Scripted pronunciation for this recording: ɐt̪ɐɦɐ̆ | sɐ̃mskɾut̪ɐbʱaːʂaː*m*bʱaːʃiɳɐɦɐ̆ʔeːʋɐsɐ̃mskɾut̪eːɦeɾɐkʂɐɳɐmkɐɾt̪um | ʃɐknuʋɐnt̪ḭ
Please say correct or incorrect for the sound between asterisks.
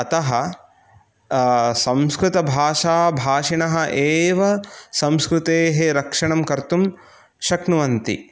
incorrect